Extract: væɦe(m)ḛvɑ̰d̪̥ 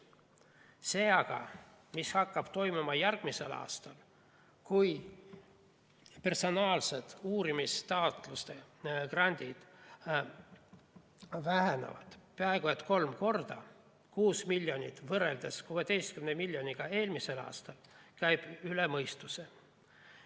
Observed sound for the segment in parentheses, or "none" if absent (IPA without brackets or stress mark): n